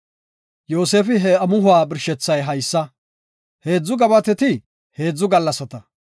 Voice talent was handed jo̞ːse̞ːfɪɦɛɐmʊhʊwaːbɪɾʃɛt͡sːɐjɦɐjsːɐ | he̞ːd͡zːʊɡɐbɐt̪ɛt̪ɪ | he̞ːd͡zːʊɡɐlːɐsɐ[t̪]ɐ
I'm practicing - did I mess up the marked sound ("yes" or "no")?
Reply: no